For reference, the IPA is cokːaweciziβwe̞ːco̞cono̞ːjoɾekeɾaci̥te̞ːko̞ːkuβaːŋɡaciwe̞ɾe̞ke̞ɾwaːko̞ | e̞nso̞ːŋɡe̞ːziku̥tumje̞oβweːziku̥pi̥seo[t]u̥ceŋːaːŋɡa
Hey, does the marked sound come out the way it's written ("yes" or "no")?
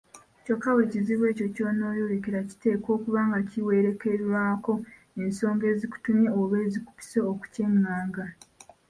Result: no